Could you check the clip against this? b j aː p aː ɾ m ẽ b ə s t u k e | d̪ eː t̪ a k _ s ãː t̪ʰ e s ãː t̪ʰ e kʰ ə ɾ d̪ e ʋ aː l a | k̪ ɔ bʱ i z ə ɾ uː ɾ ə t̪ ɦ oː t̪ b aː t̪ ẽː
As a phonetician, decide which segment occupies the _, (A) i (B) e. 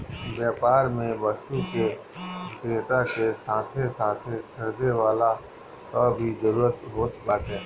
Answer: B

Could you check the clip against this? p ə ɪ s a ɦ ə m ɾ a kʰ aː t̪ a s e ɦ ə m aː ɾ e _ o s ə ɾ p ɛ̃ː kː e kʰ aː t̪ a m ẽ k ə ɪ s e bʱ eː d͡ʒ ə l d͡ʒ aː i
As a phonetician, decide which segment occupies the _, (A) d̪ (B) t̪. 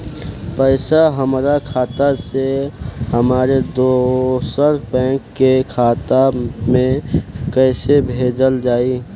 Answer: A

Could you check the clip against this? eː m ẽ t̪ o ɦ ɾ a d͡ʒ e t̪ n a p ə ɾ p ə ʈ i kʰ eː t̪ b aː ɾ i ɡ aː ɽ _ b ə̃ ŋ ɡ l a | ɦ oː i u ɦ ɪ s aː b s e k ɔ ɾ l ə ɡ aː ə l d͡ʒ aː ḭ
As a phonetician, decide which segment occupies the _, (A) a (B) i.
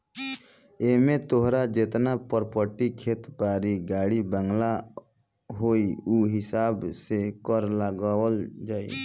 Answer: B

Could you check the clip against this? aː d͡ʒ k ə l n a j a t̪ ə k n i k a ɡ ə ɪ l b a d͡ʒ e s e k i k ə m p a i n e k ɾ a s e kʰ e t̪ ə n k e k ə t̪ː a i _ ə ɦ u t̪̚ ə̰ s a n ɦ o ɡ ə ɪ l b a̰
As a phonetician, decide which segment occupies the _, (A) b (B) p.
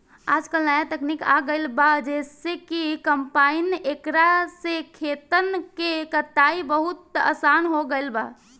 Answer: A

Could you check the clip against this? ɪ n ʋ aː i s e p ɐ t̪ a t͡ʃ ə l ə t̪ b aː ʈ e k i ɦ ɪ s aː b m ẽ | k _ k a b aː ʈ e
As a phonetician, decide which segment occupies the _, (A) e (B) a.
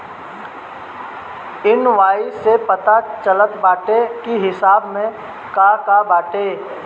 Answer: B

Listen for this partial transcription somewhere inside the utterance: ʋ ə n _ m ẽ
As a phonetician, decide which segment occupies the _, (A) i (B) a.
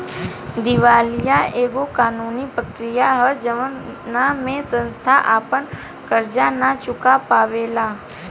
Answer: B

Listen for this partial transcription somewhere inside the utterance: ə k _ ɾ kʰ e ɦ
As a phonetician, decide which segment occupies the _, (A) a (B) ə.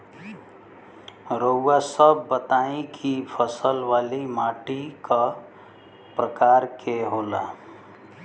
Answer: A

